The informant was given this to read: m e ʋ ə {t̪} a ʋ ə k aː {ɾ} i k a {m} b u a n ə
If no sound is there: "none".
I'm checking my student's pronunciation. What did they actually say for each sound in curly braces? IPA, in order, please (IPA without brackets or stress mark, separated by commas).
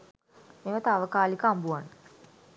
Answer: t̪, l, m